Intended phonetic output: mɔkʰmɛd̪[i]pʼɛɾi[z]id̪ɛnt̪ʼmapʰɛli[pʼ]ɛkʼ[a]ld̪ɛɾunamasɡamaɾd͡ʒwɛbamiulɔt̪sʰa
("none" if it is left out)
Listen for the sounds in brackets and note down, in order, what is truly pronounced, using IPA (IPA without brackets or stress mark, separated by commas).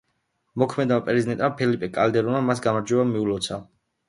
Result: a, z, pʼ, a